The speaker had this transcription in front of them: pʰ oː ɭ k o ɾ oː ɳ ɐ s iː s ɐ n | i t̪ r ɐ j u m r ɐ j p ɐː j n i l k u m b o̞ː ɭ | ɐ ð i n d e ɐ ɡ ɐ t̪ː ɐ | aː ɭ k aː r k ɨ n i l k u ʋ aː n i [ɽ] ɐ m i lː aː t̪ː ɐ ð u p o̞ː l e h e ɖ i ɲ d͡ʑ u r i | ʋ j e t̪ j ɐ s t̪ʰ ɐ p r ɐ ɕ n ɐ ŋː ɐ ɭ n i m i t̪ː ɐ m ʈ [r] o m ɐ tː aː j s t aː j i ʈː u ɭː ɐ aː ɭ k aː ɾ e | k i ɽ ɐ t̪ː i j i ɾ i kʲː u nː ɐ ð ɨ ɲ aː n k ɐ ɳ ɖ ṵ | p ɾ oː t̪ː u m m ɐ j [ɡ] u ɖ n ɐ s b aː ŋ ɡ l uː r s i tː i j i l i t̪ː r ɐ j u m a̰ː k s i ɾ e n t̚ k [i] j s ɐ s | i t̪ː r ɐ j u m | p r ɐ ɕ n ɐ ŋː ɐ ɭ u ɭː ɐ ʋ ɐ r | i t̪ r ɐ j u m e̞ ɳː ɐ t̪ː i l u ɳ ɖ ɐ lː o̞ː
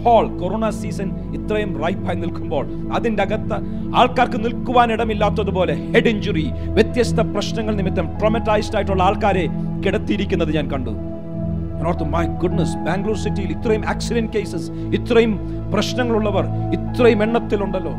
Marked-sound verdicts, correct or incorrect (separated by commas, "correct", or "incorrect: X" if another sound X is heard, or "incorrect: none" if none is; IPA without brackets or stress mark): correct, correct, correct, incorrect: e